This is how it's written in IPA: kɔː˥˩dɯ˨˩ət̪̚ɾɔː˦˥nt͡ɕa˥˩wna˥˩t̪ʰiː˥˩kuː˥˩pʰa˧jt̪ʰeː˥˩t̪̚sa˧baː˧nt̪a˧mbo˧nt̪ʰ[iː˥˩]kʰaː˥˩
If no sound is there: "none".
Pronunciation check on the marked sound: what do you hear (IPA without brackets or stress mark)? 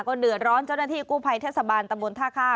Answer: aː˥˩